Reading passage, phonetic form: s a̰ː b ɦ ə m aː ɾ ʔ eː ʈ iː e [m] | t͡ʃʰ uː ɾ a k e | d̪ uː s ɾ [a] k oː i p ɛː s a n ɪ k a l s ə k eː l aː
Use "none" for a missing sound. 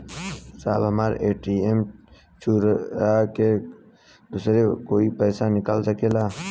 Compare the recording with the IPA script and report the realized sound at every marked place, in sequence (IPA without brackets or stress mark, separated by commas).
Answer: m, e